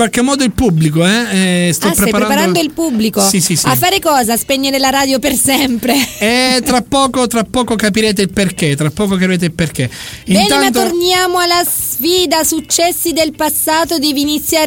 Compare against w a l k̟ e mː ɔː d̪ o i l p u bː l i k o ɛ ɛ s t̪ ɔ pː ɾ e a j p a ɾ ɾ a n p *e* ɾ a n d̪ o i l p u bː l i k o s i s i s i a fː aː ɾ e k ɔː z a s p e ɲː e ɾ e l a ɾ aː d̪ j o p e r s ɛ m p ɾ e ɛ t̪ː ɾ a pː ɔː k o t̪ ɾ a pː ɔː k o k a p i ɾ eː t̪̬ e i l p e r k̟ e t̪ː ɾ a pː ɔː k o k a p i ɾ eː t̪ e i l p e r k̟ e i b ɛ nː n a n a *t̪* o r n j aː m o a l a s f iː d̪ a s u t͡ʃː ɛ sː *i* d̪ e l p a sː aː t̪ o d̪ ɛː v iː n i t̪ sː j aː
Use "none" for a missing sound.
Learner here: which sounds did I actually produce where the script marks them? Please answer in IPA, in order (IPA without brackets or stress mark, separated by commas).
a, t̪, i